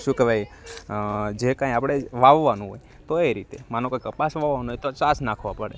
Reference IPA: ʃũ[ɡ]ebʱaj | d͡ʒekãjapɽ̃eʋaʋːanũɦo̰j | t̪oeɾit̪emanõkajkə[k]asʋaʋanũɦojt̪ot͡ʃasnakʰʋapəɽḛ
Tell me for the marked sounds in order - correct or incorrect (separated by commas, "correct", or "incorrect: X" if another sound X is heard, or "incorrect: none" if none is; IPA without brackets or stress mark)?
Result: incorrect: k, incorrect: p